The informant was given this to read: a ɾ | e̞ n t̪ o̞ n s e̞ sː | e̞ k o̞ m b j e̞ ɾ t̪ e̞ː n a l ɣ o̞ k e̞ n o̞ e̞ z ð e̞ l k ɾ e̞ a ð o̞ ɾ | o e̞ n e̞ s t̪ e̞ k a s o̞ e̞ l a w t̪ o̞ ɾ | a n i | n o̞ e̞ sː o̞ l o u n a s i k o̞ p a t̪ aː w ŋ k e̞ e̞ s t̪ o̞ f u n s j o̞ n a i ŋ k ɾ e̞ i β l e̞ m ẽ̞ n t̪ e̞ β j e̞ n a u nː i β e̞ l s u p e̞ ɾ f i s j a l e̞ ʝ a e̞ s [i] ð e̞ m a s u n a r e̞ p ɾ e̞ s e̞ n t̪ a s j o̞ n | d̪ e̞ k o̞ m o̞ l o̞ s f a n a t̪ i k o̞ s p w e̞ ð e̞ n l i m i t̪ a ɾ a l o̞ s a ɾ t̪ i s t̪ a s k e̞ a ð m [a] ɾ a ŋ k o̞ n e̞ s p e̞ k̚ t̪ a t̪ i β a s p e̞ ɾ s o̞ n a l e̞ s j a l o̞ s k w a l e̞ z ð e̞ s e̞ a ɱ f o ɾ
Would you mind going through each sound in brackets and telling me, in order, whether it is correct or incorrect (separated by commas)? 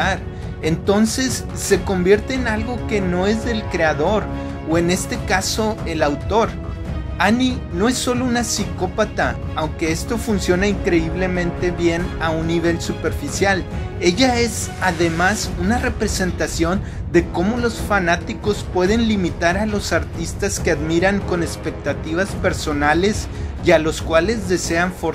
incorrect, incorrect